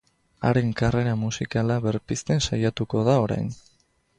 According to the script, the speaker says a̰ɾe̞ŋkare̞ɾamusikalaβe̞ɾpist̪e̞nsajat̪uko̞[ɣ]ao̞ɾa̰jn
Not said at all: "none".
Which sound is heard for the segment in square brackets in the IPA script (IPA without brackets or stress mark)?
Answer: ð